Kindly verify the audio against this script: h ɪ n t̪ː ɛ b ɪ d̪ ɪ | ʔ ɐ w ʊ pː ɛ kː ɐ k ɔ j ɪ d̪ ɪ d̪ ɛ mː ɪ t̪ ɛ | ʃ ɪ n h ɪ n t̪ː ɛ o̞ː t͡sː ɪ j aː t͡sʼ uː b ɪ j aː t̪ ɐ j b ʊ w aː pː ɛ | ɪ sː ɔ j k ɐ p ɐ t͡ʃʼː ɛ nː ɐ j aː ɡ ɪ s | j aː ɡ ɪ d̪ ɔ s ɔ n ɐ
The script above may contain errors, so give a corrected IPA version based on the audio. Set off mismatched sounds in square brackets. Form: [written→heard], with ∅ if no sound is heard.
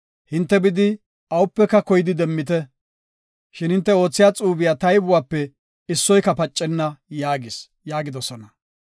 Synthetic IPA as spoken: h ɪ n t̪ː ɛ b ɪ d̪ ɪ | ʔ ɐ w ʊ pː ɛ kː ɐ k ɔ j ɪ d̪ ɪ d̪ ɛ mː ɪ t̪ ɛ | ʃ ɪ n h ɪ n t̪ː ɛ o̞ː t͡sː ɪ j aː t͡sʼ uː b ɪ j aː t̪ ɐ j b ʊ w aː pː ɛ | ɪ sː ɔ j k ɐ p ɐ t͡ʃʼː ɛ nː ɐ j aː ɡ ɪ s | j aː ɡ ɪ d̪ ɔ s ɔ n ɐ